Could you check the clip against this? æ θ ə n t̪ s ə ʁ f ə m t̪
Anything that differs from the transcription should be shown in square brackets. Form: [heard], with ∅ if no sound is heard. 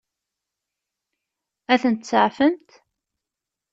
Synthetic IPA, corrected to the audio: æ θ ə n t̪ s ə [ʕ] f ə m t̪